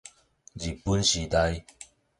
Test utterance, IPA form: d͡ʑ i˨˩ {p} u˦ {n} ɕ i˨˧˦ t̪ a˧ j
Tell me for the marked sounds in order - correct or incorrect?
correct, correct

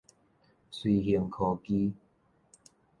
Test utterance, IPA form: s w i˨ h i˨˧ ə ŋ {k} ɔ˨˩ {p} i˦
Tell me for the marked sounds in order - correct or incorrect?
incorrect: kʰ, incorrect: k

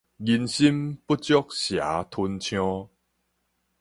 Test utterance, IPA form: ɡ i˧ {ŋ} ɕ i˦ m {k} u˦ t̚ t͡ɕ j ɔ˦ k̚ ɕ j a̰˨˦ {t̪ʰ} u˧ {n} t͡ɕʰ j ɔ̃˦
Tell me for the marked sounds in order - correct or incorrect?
incorrect: n, incorrect: p, correct, correct

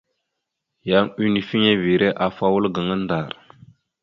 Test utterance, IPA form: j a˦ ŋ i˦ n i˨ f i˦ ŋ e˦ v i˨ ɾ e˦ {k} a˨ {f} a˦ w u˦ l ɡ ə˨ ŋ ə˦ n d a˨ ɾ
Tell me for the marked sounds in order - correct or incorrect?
incorrect: ʔ, correct

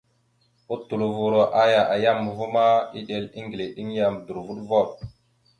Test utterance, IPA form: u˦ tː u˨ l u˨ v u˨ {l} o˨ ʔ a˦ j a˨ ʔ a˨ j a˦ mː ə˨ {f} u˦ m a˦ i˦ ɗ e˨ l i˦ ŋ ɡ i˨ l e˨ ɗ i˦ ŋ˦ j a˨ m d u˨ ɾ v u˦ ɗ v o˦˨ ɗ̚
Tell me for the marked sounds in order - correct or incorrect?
incorrect: ɾ, incorrect: v

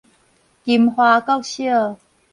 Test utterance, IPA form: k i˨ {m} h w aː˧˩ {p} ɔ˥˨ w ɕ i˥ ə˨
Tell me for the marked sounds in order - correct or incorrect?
correct, incorrect: k

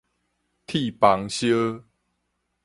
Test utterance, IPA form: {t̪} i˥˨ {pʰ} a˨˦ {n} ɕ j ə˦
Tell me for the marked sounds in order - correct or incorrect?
incorrect: t̪ʰ, incorrect: p, incorrect: ŋ

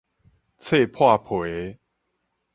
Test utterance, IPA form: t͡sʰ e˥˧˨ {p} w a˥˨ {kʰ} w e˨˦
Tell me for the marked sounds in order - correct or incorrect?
incorrect: pʰ, incorrect: pʰ

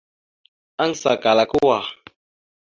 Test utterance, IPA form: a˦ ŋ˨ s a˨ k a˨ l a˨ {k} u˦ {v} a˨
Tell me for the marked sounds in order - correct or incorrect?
correct, incorrect: w

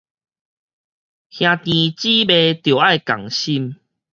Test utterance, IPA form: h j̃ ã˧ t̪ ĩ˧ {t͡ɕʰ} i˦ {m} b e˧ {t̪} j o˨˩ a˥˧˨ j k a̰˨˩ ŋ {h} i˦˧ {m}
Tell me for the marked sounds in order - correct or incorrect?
incorrect: t͡ɕ, incorrect: none, correct, incorrect: ɕ, correct

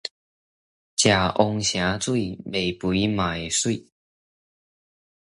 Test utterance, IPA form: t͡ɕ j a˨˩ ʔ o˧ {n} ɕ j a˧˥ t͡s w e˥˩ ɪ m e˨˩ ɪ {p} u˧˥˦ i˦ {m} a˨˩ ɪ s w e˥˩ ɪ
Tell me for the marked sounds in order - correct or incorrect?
incorrect: ŋ, correct, correct

